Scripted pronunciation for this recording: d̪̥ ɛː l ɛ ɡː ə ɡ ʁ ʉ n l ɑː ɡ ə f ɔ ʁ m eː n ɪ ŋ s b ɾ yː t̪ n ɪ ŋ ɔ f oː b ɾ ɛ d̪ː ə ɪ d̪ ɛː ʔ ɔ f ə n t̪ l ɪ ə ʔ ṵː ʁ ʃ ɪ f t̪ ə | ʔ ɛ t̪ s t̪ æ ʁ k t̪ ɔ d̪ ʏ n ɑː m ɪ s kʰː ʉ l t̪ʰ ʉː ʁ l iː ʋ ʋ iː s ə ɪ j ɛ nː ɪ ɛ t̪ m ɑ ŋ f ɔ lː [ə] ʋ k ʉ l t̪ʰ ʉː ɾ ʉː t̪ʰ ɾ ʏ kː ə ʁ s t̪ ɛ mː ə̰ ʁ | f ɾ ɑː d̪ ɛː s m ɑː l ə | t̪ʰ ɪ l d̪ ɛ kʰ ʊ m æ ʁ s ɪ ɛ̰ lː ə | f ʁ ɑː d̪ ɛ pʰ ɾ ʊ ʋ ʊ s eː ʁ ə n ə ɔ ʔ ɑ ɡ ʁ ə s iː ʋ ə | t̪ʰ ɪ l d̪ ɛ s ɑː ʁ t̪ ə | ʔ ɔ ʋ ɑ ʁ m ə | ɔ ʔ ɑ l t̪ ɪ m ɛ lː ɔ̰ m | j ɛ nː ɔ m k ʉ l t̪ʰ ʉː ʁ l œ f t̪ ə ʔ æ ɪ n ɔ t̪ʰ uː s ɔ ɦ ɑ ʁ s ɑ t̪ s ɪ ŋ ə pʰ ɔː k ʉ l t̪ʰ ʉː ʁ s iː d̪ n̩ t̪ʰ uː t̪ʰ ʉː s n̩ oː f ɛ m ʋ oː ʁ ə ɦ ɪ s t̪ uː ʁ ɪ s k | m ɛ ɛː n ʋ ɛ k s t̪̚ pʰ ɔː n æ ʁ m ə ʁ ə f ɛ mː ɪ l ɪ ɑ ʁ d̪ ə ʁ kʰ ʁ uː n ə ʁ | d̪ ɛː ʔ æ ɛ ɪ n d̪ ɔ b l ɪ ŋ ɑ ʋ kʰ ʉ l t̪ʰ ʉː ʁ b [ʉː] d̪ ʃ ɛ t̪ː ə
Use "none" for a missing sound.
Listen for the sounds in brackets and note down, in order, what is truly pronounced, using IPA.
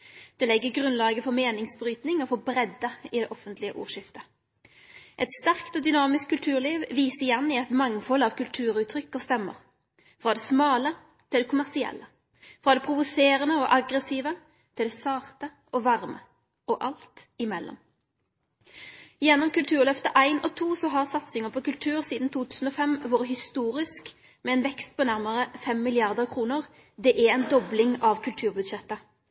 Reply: ɑ, ʉ

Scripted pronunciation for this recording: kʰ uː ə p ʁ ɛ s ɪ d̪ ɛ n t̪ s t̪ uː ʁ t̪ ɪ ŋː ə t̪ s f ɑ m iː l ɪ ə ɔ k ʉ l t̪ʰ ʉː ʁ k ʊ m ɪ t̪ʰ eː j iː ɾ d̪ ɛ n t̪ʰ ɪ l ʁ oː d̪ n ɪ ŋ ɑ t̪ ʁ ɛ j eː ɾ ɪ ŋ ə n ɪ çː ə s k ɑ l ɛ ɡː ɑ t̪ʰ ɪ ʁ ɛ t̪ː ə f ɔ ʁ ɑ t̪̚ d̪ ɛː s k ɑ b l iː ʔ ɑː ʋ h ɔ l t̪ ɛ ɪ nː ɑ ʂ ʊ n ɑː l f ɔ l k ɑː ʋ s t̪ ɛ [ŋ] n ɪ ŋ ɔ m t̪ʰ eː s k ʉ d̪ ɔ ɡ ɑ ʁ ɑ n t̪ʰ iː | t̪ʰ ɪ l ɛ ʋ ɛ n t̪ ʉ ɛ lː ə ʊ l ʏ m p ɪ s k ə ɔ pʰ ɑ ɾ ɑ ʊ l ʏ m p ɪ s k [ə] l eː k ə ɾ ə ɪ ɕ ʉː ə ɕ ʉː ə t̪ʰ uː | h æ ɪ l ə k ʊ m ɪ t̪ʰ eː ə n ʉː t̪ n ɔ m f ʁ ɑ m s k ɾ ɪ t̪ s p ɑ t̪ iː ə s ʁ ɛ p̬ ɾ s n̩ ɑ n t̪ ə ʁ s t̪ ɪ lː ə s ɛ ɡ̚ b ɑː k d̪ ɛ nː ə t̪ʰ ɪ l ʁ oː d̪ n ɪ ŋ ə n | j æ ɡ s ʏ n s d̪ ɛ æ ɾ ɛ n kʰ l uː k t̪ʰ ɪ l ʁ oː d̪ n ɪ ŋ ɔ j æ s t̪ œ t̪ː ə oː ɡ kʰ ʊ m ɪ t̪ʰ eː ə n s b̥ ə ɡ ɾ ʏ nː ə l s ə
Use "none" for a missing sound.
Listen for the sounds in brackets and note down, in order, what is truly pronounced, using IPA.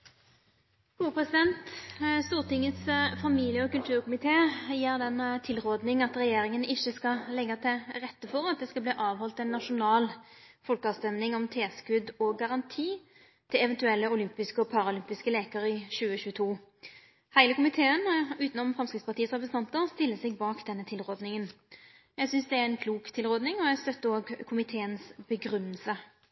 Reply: m, ə

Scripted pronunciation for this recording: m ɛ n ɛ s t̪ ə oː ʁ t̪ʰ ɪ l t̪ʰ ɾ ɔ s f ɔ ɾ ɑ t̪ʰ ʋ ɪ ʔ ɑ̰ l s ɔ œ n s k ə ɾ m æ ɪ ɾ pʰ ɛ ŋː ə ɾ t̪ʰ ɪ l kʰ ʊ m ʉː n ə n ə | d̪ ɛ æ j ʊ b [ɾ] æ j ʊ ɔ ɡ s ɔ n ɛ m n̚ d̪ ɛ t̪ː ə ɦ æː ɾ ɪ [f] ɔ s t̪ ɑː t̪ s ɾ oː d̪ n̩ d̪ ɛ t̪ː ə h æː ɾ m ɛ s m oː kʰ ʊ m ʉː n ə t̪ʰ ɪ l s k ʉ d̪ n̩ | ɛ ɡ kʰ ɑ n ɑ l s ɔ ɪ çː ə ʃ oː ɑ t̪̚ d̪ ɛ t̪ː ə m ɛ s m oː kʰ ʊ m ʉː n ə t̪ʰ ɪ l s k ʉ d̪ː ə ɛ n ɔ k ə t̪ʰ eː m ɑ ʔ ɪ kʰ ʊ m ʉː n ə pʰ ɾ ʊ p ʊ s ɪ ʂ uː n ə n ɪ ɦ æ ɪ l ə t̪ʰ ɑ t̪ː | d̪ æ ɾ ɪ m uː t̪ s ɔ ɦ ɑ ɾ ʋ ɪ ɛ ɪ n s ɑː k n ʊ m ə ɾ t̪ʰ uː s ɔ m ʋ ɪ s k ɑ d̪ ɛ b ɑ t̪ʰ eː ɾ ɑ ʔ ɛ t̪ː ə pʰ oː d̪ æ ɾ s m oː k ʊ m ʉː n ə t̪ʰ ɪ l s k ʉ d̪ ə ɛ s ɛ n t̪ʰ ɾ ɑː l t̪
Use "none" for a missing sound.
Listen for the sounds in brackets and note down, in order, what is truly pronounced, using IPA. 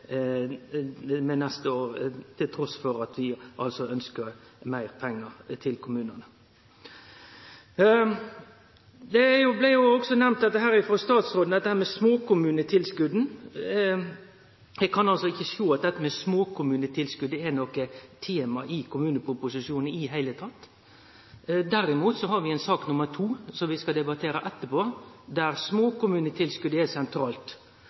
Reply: l, f

